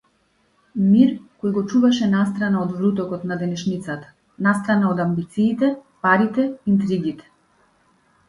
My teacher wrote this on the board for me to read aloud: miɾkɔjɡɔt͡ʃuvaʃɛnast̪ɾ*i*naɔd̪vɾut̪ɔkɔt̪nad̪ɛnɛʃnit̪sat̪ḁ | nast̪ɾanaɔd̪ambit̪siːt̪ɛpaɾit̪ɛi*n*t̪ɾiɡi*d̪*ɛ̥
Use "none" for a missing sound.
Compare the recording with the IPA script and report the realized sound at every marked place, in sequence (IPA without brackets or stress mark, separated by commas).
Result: a, n, t̪